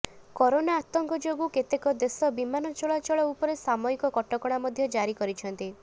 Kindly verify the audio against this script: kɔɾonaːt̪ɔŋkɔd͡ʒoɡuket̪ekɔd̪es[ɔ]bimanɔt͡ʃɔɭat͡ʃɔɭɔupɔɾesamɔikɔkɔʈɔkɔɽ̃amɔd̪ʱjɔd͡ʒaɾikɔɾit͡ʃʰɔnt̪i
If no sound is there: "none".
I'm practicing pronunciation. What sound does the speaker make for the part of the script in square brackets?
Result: ɔ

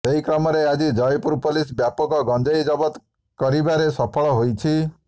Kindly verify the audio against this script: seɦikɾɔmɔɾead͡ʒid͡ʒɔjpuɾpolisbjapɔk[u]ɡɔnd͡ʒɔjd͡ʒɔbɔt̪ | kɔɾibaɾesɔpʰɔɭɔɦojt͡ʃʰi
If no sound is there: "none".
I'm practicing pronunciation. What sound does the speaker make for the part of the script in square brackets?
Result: ɔ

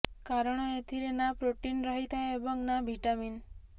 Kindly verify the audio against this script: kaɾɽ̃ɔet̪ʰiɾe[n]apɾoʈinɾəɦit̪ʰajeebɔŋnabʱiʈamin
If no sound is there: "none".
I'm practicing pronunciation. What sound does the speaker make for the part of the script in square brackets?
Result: n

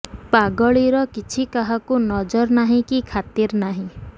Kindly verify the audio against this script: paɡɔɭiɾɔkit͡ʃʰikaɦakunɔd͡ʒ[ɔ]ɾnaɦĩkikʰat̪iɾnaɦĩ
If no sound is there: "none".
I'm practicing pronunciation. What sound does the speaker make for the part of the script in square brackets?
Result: ɔ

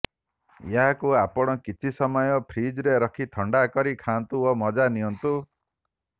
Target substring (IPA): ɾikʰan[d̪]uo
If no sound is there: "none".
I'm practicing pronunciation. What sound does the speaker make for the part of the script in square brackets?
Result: t̪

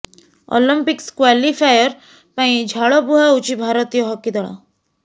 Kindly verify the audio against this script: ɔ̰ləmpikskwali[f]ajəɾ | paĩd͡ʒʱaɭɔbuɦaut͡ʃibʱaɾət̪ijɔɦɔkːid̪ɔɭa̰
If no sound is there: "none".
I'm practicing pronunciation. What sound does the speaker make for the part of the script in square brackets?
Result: f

